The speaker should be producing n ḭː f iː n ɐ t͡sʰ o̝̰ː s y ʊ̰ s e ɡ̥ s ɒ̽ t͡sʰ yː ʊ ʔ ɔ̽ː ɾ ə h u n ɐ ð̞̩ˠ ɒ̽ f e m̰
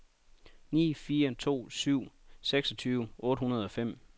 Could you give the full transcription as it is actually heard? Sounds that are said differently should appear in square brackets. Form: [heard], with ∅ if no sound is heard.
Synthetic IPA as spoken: n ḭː f iː [∅] ɐ t͡sʰ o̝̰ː s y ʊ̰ s e ɡ̥ s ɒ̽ t͡sʰ yː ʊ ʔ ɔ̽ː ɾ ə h u n ɐ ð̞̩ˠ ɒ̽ f e m̰